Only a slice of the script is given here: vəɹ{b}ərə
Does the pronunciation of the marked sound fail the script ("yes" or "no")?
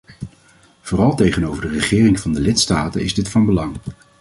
yes